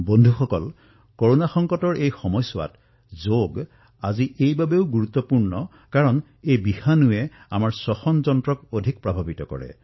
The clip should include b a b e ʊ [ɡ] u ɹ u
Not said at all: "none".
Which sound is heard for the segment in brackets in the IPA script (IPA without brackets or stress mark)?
ɡ